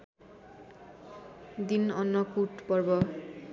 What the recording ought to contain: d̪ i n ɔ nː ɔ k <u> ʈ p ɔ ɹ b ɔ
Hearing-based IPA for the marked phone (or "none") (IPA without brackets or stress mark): u